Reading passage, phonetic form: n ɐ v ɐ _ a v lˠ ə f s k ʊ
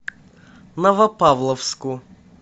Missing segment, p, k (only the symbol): p